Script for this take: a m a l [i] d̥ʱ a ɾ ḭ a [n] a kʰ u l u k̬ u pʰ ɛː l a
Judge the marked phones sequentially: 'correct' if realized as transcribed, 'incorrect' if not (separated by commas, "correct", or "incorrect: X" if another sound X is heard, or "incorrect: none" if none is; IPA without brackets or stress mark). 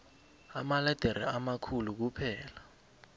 incorrect: ɛ, incorrect: m